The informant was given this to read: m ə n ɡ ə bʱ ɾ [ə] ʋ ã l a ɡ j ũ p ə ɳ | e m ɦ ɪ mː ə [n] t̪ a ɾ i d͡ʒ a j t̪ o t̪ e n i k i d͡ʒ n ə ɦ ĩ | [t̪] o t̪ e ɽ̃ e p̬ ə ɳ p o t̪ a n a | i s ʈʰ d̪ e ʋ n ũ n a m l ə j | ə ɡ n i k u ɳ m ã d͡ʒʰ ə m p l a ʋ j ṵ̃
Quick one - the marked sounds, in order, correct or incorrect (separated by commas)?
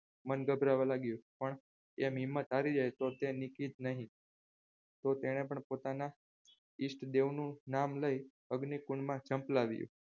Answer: incorrect, incorrect, correct